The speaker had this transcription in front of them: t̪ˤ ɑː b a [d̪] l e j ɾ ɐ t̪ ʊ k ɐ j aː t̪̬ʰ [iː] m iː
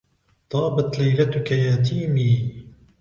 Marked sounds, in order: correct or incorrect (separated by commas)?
incorrect, correct